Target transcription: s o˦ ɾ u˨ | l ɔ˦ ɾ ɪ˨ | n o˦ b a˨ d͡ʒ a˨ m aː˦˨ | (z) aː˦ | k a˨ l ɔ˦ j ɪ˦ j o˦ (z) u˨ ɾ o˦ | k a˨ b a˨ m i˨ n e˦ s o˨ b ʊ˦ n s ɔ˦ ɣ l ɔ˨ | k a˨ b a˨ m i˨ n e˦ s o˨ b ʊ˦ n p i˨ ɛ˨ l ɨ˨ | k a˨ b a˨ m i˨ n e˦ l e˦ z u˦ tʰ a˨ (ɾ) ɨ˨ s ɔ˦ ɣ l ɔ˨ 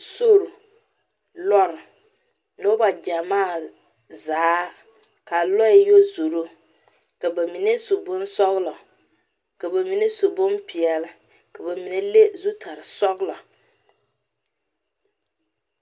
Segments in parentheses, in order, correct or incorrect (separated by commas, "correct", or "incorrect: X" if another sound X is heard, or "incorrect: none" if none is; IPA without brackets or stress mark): correct, correct, correct